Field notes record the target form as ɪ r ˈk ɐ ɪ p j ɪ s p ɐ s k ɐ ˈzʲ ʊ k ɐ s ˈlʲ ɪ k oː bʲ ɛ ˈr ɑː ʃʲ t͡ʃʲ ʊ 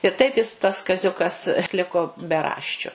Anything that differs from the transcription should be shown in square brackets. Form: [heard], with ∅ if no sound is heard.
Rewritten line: ɪ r [ˈt] ɐ ɪ p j ɪ s [t] ɐ s k ɐ ˈzʲ ʊ k ɐ s ˈlʲ ɪ k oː bʲ ɛ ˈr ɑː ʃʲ t͡ʃʲ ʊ